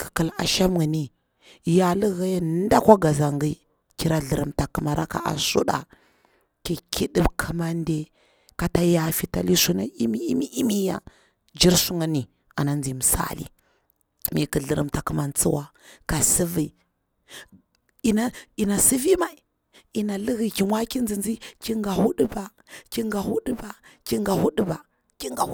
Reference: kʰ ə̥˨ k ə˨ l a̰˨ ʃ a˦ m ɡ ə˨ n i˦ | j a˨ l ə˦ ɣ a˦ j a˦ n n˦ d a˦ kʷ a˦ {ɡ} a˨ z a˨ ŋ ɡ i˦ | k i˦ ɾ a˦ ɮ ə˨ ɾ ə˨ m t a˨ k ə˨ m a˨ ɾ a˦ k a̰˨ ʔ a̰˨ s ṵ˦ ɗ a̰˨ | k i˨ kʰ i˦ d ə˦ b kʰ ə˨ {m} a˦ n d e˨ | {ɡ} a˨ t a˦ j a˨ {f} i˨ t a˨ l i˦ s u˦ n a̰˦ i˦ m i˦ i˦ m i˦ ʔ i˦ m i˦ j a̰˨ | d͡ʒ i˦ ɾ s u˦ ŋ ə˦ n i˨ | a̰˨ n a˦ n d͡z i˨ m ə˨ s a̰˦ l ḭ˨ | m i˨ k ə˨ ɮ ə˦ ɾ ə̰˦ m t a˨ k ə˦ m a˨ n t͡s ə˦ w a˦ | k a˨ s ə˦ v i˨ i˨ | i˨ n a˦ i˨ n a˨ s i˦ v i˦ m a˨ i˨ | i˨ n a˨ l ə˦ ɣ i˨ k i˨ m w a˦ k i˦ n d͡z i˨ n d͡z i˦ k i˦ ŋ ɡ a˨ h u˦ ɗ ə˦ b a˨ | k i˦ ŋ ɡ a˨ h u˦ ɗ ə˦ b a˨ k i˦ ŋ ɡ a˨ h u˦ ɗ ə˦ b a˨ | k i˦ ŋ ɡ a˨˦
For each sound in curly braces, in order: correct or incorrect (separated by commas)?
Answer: correct, correct, incorrect, correct